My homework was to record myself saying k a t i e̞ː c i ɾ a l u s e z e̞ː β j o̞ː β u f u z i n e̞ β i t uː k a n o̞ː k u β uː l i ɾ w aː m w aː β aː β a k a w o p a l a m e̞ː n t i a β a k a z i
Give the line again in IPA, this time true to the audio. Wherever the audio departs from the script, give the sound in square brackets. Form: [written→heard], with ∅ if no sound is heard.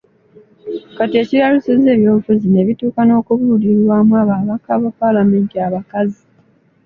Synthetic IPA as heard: k a t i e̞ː c i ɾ a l u s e z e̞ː β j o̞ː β u f u z i n e̞ β i t uː k a n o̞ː k u β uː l i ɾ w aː m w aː β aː β a k a [w→β] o p a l a m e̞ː n t i a β a k a z i